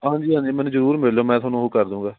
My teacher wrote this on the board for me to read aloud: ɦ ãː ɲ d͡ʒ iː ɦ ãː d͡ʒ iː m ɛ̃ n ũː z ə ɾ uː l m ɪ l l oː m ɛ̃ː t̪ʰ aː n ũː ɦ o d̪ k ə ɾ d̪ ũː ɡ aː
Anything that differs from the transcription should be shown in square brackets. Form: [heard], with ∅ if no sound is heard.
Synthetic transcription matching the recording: ɦ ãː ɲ d͡ʒ iː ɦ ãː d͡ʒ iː m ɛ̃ n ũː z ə ɾ uː [ɾ] m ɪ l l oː m ɛ̃ː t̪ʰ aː n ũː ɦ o [∅] k ə ɾ d̪ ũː ɡ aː